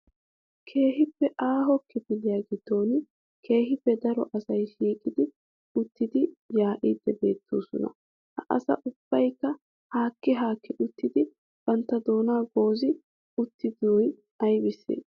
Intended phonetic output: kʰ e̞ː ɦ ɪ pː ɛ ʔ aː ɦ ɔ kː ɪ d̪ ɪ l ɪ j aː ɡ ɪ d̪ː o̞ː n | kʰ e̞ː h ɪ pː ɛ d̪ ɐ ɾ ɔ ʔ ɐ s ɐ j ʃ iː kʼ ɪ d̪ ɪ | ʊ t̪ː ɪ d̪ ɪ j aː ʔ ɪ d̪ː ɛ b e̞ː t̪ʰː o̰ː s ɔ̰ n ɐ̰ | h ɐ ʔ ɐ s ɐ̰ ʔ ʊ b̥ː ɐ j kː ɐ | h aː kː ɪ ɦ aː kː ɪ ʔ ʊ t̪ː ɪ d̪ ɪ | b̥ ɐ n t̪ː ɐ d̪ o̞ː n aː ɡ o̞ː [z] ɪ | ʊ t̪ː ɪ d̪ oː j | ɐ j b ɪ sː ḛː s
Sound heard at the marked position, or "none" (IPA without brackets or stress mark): z